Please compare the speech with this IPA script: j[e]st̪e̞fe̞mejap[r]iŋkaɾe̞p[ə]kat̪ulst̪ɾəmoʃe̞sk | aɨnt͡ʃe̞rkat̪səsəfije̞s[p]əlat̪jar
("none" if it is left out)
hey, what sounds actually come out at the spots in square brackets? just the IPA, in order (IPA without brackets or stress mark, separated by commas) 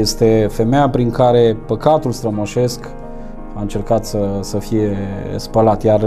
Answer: e, ɾ, ə, p